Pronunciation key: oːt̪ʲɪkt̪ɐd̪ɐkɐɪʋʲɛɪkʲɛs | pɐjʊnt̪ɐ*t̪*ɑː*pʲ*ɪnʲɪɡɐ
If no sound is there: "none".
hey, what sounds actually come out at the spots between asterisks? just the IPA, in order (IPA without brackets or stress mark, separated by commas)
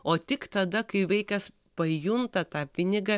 t̪, pʲ